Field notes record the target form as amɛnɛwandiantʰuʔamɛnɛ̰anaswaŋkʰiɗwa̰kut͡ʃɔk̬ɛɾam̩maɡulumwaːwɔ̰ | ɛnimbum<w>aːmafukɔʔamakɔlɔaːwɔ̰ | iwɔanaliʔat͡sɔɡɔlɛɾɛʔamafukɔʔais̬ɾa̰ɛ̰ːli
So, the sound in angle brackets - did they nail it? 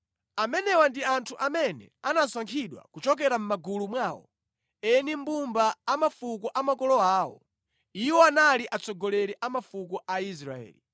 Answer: no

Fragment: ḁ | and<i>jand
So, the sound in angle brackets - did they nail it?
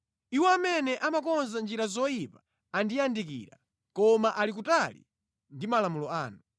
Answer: yes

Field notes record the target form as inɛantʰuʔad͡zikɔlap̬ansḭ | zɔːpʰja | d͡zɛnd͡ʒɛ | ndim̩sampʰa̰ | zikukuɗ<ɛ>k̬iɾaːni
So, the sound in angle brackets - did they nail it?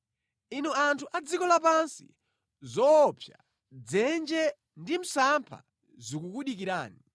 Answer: no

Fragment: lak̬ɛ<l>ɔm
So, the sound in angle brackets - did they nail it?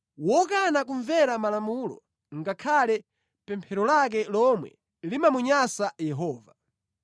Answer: yes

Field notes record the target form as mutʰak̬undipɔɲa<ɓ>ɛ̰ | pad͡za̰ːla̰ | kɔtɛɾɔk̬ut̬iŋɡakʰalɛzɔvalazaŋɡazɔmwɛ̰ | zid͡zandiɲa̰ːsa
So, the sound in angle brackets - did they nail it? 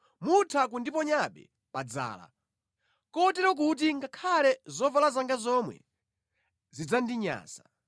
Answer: yes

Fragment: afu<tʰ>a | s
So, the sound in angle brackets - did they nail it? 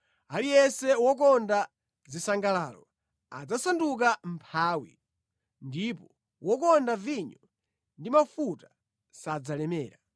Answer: no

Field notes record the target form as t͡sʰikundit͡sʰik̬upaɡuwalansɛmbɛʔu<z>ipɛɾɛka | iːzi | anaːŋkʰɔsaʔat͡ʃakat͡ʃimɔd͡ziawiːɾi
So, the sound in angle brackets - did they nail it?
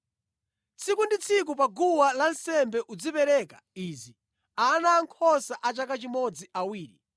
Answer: no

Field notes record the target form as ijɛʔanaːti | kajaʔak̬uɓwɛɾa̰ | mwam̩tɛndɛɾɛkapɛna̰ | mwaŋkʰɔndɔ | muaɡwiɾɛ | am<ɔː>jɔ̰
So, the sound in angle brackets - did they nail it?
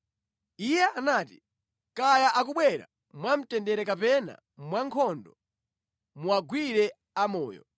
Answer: yes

